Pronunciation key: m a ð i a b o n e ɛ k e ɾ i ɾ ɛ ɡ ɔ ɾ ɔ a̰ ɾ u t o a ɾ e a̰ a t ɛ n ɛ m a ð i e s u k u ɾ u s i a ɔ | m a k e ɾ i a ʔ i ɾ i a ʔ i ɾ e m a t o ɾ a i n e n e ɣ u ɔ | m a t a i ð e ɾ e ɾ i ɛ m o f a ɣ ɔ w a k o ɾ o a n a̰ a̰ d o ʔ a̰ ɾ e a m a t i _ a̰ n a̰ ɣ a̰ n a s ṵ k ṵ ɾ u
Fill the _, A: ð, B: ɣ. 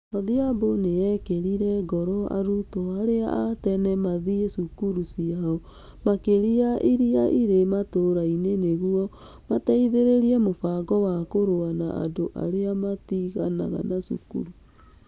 B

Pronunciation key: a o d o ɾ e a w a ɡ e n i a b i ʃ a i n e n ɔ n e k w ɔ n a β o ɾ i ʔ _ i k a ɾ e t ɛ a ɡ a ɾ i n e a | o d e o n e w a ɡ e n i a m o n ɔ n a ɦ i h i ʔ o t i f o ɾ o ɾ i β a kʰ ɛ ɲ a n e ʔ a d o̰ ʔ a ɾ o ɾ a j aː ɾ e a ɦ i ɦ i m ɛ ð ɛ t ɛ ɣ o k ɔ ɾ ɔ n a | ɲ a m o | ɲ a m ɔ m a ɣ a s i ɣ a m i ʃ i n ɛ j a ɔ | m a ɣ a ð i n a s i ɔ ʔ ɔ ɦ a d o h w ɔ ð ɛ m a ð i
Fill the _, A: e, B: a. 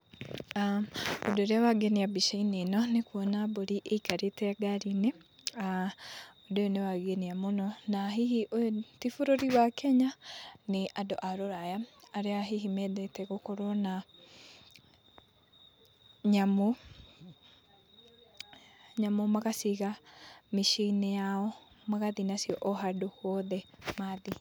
A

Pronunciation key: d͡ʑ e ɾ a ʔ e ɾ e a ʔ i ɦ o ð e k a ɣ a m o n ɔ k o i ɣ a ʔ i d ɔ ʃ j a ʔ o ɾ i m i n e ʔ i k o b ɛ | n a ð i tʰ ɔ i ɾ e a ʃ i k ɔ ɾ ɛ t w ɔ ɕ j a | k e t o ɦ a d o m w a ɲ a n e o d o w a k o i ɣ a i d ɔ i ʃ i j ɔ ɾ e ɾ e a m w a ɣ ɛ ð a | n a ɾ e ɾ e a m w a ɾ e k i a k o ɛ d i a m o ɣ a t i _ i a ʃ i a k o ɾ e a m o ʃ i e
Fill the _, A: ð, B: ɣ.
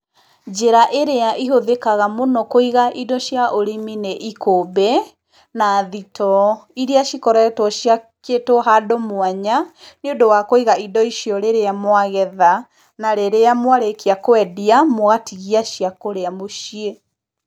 B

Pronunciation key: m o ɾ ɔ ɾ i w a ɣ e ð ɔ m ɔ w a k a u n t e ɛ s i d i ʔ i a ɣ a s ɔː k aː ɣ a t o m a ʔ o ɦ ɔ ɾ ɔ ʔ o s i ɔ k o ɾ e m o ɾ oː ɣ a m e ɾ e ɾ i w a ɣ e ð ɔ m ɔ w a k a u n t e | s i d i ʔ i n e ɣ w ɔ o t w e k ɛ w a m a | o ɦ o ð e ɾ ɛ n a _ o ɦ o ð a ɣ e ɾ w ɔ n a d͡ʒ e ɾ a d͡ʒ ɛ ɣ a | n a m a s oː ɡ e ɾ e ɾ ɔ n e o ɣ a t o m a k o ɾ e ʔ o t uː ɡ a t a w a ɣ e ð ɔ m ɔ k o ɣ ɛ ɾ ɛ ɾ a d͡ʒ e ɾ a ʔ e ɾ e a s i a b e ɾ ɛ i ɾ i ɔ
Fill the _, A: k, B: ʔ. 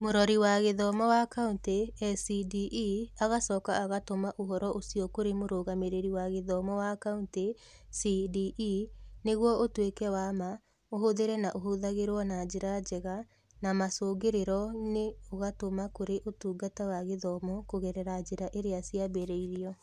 B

